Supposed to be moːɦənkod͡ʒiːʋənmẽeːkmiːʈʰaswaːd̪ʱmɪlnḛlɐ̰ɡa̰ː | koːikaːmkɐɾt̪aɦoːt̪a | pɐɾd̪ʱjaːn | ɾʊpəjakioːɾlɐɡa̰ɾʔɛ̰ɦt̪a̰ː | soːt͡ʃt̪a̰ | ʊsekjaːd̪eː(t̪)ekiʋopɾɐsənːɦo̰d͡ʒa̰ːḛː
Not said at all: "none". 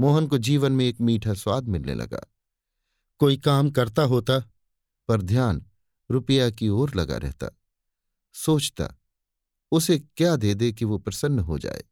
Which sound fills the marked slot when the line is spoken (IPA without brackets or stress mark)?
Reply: d̪